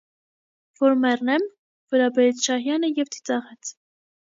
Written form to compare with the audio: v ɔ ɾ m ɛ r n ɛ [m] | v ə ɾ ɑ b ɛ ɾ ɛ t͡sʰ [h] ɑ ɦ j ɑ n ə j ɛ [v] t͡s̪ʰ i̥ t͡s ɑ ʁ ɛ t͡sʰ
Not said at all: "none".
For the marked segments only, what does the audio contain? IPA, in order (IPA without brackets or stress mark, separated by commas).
m, ʃ, v